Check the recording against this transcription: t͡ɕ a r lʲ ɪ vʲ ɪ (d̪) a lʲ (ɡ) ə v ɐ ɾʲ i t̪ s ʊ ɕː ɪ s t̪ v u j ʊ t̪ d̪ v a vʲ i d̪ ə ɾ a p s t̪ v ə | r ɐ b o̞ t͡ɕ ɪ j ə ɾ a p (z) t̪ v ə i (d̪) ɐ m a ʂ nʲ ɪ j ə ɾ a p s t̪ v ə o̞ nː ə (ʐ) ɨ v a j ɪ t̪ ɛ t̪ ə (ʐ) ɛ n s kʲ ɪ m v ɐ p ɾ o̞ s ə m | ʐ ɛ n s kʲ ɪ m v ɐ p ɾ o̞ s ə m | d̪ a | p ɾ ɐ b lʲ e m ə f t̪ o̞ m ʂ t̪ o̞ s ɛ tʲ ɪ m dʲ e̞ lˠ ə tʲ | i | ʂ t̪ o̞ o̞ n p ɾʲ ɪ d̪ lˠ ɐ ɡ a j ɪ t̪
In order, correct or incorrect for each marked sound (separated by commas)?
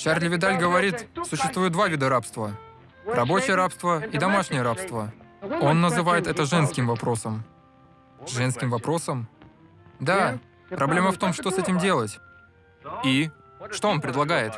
correct, correct, incorrect, correct, incorrect, correct